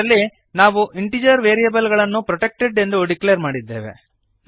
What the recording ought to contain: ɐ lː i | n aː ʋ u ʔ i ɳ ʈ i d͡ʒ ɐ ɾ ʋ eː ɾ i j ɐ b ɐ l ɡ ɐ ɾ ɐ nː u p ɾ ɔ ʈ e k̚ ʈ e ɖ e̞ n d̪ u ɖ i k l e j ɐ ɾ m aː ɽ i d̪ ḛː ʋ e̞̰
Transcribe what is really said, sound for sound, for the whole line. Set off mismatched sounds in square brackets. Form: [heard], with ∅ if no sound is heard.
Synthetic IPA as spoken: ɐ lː i | n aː ʋ u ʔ i ɳ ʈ i d͡ʒ ɐ ɾ ʋ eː ɾ i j ɐ b ɐ l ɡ ɐ [ɭ] ɐ nː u p ɾ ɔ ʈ e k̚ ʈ e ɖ e̞ n d̪ u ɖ i k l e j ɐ ɾ m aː ɽ i [d̪ː] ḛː ʋ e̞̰